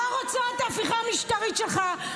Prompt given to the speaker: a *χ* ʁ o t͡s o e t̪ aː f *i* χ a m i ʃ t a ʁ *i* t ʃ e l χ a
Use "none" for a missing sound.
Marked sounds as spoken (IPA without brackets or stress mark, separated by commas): none, i, i